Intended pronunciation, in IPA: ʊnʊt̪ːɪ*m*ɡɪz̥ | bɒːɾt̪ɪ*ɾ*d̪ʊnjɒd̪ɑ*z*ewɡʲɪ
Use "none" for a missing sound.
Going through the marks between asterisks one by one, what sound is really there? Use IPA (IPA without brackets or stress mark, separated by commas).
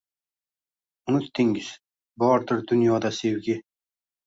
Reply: ŋ, ɾ, s